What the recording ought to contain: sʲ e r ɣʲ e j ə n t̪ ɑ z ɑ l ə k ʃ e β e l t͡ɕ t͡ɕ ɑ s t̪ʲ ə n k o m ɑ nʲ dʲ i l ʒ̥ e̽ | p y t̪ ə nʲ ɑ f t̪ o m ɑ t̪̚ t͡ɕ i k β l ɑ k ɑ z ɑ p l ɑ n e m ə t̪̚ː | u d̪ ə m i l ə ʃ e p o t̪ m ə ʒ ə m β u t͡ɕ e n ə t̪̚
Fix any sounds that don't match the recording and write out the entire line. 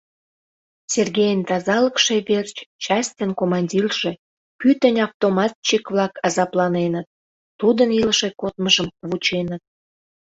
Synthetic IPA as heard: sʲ e r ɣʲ e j ə n t̪ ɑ z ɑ l ə k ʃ e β e r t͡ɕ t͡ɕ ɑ s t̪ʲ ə n k o m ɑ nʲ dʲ i l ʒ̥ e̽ | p y t̪ ə nʲ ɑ f t̪ o m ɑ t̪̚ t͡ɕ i k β l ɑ k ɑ z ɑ p l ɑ n e n ə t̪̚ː | u d̪ ə n i l ə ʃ e k o t̪ m ə ʒ ə m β u t͡ɕ e n ə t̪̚